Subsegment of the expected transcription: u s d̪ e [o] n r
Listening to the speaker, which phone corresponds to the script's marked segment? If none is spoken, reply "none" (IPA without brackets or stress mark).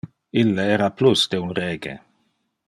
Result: u